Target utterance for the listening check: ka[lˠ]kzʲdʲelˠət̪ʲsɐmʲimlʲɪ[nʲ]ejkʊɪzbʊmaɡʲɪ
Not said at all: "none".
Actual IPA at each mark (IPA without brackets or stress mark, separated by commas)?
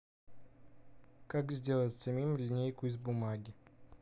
none, nʲ